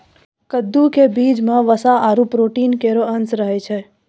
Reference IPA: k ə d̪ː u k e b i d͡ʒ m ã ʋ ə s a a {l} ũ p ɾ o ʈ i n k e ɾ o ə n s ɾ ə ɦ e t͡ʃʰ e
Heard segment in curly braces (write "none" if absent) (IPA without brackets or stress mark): ɾ